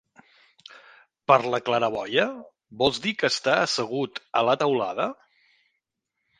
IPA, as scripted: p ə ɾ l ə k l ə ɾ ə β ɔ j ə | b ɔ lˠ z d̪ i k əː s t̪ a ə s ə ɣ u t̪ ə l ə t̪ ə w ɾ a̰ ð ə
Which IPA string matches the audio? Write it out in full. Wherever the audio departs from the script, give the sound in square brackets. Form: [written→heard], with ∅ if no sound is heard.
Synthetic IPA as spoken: p ə ɾ l ə k l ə ɾ ə β ɔ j ə | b ɔ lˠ z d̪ i k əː s t̪ a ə s ə ɣ u t̪ ə l ə t̪ ə w [ɾ→l] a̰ ð ə